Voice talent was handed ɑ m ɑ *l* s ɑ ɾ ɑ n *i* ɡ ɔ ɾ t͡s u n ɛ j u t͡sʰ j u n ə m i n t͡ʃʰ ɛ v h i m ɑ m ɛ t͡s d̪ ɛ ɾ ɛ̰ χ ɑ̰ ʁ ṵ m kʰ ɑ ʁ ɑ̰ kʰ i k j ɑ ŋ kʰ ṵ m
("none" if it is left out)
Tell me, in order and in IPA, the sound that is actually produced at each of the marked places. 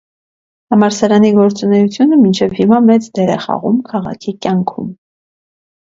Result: ɾ, i

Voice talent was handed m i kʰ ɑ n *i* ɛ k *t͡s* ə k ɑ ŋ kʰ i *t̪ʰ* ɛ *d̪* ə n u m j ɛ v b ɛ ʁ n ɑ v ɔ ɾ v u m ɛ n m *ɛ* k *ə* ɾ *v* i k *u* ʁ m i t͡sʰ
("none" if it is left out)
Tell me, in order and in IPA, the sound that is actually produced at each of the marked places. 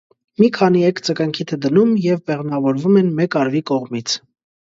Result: i, t͡s, t̪ʰ, d̪, ɛ, ɑ, v, ɔ

